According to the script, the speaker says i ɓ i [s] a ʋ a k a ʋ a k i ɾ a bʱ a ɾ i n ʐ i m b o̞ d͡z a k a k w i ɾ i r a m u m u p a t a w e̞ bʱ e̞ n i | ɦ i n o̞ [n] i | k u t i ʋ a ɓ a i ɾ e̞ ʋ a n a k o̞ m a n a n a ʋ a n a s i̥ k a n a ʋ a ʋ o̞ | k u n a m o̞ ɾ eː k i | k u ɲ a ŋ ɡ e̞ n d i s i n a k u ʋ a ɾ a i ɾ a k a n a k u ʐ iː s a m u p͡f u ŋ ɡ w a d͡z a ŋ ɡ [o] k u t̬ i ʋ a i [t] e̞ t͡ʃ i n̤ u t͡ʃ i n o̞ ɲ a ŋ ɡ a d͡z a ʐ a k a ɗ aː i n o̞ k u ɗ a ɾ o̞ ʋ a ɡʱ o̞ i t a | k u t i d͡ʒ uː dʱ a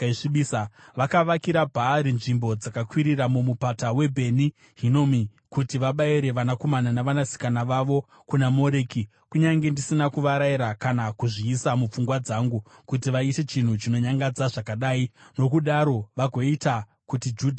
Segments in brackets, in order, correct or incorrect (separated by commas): correct, incorrect, incorrect, correct